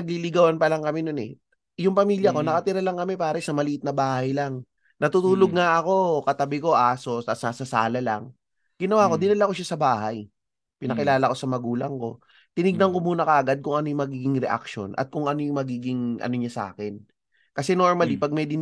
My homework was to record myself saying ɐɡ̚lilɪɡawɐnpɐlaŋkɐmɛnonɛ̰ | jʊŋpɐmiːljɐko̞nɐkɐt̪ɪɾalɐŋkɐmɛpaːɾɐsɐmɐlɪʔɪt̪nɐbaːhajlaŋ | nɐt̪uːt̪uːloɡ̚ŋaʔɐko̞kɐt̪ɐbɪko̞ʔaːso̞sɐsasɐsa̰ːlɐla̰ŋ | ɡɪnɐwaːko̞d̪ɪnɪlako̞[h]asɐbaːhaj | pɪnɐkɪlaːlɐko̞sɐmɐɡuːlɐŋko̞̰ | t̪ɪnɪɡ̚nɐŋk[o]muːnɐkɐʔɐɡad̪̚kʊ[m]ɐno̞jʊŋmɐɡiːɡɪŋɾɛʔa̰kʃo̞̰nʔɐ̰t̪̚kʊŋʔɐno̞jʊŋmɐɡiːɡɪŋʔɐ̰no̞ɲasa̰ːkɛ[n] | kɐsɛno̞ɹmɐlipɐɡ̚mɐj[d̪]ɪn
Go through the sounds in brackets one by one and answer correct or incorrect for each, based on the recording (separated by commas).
incorrect, correct, incorrect, correct, correct